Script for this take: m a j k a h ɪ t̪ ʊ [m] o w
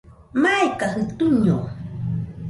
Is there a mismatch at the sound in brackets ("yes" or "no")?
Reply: yes